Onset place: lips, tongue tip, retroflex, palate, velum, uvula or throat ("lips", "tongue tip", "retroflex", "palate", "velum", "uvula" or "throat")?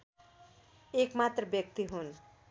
velum